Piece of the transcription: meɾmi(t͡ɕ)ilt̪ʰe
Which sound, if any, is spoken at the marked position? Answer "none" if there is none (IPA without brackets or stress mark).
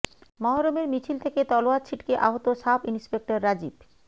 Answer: t͡ɕʰ